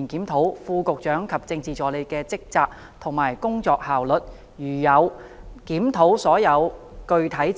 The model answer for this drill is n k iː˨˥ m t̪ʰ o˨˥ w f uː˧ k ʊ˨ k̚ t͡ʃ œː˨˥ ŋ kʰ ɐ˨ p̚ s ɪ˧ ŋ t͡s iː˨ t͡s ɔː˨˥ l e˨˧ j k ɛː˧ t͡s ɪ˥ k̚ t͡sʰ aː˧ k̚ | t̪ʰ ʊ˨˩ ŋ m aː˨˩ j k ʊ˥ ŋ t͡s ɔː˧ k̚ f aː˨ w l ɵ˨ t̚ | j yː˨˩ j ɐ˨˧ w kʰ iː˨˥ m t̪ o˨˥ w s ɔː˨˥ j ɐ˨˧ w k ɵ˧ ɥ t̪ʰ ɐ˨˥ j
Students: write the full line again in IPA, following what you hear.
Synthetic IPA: n k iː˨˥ m t̪ʰ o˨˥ w f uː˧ k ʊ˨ k̚ t͡ʃ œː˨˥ ŋ kʰ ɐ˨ p̚ t͡s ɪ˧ ŋ t͡s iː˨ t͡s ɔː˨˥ l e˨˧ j k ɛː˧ t͡s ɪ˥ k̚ t͡s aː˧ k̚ | t̪ʰ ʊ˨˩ ŋ m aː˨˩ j k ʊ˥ ŋ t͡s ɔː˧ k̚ h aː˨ w l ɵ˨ t̚ | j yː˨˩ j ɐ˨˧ w k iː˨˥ m t̪ʰ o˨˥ w s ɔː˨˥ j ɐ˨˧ w k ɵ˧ ɥ t̪ʰ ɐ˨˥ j